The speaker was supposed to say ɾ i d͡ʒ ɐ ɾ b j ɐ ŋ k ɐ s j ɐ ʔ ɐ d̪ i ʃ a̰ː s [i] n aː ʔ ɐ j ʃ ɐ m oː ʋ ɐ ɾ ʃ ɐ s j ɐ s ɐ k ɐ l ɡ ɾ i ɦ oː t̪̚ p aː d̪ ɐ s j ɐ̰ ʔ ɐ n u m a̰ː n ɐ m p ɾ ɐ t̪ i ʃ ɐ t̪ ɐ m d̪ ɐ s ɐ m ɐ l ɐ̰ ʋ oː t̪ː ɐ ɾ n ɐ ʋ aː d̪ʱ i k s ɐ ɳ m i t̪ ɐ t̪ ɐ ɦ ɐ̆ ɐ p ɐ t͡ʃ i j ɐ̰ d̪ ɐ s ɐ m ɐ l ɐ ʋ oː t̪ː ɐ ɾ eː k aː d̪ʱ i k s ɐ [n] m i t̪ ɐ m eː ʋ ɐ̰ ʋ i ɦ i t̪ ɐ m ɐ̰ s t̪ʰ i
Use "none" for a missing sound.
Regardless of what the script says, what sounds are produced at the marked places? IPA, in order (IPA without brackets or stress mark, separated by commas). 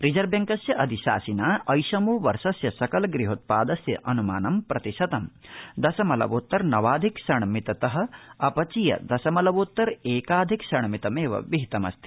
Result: i, ɳ